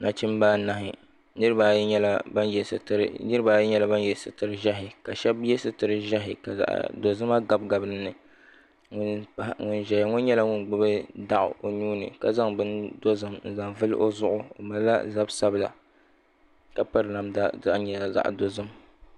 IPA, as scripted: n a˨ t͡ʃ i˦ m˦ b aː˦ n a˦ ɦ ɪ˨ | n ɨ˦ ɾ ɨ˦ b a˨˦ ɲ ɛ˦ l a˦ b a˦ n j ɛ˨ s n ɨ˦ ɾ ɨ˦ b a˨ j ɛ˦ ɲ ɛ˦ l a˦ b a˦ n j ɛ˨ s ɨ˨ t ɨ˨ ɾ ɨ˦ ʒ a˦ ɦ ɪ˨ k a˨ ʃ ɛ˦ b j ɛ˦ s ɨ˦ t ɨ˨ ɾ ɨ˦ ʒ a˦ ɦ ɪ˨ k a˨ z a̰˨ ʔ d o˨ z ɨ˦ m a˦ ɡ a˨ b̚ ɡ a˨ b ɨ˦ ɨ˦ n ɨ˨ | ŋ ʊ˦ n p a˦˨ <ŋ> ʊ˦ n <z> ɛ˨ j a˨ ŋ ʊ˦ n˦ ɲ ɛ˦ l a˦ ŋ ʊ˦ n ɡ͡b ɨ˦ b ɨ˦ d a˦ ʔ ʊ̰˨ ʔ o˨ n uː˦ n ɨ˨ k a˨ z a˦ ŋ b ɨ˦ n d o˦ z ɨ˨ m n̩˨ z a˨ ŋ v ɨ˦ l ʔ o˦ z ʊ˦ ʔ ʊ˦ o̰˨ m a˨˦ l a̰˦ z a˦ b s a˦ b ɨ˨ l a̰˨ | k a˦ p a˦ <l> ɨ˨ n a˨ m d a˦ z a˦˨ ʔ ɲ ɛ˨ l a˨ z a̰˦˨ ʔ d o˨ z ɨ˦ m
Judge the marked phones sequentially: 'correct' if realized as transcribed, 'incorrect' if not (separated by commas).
correct, incorrect, incorrect